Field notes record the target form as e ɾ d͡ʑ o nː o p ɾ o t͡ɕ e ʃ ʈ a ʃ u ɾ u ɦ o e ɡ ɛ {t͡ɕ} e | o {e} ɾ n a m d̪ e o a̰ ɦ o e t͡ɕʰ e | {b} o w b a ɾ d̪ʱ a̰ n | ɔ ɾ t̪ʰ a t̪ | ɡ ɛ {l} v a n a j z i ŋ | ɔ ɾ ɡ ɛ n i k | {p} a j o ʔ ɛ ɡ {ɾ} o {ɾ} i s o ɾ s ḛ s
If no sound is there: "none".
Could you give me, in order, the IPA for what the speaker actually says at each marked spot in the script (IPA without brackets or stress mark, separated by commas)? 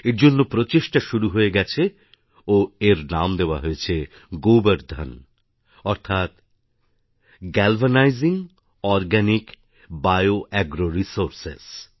t͡ɕʰ, e, ɡ, l, b, ɾ, ɾ